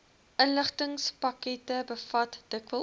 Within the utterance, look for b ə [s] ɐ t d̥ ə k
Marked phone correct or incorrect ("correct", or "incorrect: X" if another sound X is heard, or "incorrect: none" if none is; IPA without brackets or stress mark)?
incorrect: f